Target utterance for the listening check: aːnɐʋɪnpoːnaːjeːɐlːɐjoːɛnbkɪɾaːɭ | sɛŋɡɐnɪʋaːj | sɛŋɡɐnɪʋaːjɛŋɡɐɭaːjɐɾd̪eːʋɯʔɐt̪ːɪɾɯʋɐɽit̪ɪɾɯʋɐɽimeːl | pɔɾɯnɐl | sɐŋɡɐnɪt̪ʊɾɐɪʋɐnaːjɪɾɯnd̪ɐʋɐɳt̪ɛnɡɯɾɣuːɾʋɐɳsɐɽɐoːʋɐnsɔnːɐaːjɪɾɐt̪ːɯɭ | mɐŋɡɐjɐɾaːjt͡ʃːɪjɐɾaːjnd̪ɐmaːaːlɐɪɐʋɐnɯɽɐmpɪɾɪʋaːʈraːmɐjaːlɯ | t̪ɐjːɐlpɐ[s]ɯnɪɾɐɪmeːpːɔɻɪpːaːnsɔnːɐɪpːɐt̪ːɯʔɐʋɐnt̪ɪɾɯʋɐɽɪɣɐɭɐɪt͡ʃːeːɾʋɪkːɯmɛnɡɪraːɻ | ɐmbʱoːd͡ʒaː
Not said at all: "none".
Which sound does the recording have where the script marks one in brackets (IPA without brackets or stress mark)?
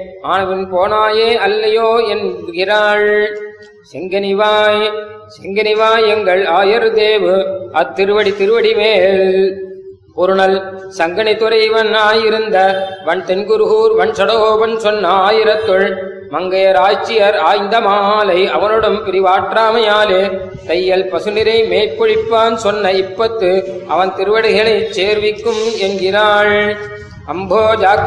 s